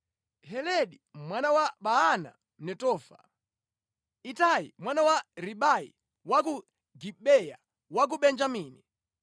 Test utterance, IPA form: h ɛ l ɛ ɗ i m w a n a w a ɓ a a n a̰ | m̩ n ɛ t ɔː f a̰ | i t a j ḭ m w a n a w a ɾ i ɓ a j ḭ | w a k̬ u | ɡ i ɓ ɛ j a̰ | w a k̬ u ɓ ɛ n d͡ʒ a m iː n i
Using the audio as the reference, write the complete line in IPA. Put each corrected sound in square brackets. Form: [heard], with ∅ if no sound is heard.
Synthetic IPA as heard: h ɛ l ɛ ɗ i m w a n a w a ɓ a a n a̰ | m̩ n ɛ t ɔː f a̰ | i t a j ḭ m w a n a w a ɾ i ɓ a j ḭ | w a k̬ u | ɡ i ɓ ɛ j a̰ | w a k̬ u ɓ ɛ n d͡ʒ a m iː n i